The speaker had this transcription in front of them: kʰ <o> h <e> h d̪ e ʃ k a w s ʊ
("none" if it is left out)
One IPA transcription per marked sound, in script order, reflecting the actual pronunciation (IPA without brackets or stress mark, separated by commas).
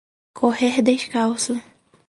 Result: o, e